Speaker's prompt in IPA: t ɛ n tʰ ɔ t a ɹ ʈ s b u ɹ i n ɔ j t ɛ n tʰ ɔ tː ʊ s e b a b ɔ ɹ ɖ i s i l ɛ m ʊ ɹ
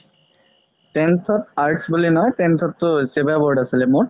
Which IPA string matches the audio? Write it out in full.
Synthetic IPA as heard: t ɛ n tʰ ɔ t a ɹ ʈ s b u l i n ɔ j t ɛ n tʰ ɔ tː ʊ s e b a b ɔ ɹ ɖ a s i l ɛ m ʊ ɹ